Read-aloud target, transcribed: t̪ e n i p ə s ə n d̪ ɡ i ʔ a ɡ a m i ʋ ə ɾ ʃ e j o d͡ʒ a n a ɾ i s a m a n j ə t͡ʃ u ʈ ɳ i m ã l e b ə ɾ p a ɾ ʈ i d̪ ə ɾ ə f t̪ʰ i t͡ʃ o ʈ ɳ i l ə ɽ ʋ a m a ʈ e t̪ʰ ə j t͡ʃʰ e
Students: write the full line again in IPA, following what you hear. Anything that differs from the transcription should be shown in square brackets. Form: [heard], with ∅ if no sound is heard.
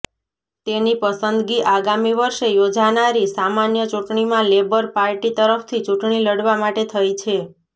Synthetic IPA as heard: t̪ e n i p ə s ə n d̪ ɡ i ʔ a ɡ a m i ʋ ə ɾ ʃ e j o d͡ʒ a n a ɾ i s a m a n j ə t͡ʃ u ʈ ɳ i m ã l e b ə ɾ p a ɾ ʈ i [t̪] ə ɾ ə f t̪ʰ i t͡ʃ [u] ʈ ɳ i l ə ɽ ʋ a m a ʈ e t̪ʰ ə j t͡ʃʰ e